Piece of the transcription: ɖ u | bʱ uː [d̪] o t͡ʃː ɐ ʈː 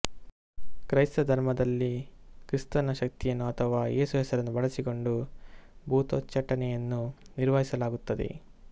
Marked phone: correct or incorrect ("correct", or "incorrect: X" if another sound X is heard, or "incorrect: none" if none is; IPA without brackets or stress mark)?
incorrect: t̪